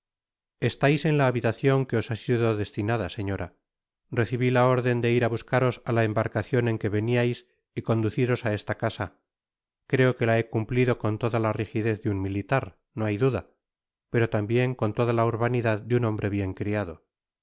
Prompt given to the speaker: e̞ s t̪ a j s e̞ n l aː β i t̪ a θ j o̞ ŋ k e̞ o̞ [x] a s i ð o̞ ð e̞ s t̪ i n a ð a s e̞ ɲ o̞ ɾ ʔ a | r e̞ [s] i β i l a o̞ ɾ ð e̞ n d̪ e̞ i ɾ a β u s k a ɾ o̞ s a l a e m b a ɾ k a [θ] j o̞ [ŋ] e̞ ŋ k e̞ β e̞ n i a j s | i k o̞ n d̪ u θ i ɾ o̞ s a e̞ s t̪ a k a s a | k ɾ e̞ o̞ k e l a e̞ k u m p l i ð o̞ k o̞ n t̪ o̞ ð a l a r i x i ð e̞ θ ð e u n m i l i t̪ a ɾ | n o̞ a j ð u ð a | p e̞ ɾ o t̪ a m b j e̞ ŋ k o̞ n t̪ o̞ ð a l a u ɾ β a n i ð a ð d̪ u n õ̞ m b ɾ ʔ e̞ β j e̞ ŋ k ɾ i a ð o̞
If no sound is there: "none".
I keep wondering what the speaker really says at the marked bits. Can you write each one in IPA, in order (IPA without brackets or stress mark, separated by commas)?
s, θ, θ, n